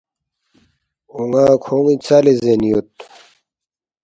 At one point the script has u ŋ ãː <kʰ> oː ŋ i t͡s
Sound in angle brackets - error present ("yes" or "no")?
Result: no